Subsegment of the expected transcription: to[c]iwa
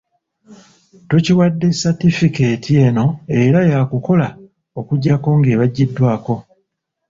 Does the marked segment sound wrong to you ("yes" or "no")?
no